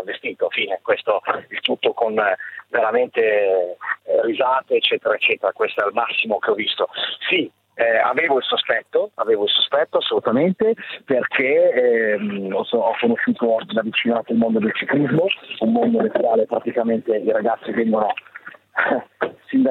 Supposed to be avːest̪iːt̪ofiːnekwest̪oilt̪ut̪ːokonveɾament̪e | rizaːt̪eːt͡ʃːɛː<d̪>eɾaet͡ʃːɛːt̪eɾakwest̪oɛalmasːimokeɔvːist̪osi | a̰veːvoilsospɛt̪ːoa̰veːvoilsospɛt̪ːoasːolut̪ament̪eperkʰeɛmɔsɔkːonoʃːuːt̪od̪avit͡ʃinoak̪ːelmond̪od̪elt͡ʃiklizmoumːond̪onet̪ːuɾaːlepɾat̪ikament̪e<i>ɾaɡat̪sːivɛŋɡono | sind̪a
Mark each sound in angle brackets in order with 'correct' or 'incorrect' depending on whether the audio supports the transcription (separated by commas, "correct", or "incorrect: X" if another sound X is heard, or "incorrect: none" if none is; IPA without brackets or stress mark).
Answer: incorrect: t̪, correct